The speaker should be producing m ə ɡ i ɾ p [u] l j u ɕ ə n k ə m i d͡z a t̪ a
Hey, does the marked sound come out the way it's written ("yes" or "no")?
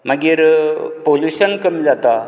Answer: no